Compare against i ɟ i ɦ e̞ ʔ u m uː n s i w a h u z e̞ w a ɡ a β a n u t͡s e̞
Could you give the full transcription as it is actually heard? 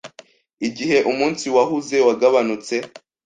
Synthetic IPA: i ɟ i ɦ e̞ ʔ u m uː n s i w a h u z e̞ w a ɡ a β a n u t͡s e̞